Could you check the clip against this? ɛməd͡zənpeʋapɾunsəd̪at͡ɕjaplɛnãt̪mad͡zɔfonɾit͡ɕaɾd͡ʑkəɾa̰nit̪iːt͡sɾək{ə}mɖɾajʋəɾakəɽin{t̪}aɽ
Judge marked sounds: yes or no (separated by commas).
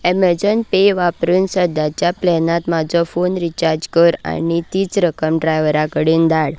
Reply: yes, no